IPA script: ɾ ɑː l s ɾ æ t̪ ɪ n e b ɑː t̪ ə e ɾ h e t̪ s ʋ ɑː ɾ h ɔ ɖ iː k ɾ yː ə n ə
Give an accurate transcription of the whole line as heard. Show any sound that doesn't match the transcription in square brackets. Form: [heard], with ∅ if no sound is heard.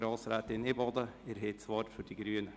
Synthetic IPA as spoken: ɾ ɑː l s ɾ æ t̪ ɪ n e b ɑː [d̪] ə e ɾ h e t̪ s ʋ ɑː ɾ [f] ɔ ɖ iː [ɡ] ɾ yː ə n ə